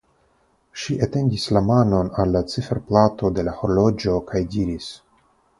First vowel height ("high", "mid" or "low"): high